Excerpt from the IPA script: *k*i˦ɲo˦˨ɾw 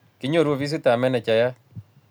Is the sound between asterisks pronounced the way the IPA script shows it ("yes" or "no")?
yes